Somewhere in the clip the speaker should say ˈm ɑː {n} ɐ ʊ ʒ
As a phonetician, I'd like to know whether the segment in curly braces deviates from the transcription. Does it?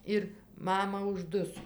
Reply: yes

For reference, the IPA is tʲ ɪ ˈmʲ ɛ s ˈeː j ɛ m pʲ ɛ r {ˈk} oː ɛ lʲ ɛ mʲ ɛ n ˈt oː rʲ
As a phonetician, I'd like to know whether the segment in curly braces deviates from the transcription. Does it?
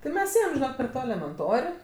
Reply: yes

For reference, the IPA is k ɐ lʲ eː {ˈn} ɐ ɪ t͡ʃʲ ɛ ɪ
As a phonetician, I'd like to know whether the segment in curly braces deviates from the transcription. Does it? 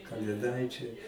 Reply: yes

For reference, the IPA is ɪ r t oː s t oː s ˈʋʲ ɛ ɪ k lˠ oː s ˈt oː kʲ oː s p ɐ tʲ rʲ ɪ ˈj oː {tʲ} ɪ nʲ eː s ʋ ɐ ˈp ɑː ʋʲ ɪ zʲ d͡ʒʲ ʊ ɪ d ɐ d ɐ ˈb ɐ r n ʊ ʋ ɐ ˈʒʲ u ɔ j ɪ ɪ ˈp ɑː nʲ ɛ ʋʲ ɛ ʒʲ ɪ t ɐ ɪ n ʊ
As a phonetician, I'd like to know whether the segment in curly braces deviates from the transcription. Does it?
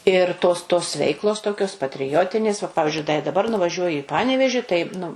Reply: no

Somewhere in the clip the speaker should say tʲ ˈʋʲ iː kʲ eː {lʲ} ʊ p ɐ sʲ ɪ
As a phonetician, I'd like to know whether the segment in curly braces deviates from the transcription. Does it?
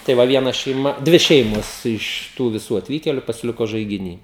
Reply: no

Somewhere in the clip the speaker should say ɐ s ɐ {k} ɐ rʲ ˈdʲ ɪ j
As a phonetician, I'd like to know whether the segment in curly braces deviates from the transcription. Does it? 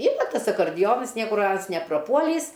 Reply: no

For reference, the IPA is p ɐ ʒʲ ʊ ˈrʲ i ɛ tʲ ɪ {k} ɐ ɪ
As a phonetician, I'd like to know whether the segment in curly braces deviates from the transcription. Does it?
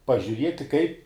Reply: no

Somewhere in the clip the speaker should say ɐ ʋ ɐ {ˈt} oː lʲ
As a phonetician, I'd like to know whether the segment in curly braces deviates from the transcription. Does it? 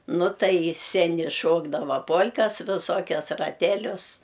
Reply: yes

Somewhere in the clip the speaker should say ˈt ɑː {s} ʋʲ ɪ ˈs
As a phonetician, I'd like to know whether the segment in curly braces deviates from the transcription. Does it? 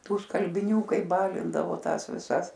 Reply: no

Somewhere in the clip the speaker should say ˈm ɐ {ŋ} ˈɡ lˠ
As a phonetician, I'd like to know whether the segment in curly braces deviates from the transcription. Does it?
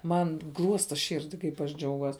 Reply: yes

